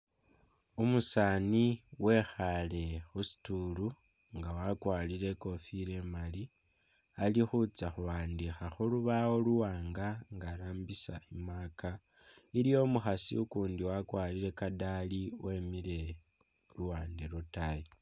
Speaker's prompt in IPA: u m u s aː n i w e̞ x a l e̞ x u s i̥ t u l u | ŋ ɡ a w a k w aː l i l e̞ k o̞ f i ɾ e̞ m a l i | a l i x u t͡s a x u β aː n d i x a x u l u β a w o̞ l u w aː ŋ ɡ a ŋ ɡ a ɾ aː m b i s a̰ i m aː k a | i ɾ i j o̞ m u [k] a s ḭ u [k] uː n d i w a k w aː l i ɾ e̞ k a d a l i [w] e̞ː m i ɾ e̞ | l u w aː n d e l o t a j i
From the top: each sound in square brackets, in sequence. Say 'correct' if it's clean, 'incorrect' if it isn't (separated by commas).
incorrect, correct, correct